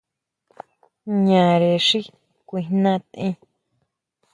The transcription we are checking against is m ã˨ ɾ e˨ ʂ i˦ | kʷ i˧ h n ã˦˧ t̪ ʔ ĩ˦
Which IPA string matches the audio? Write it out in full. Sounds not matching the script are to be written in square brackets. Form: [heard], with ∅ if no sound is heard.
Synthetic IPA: [ɲ] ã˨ ɾ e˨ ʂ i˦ | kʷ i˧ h n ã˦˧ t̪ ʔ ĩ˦